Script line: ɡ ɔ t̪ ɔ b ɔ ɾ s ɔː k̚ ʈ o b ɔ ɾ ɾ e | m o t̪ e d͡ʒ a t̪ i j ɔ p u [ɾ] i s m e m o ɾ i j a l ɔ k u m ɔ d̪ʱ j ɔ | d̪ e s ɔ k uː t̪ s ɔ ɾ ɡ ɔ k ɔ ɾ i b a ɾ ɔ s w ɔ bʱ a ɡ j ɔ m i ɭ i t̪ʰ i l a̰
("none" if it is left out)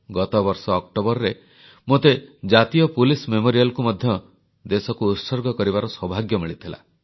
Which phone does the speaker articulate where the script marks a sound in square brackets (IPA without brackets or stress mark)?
l